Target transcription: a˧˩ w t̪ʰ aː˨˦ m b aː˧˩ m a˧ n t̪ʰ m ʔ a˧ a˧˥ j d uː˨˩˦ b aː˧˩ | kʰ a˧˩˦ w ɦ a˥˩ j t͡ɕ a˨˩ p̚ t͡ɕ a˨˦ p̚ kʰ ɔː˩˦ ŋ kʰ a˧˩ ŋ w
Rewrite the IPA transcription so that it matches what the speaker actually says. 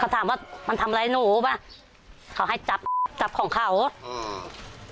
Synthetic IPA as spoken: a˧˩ w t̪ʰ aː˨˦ m w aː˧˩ m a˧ n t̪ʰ m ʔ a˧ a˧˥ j n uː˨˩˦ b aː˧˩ | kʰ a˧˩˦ w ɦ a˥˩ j t͡ɕ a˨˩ p̚ t͡ɕ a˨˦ p̚ kʰ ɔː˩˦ ŋ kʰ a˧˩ w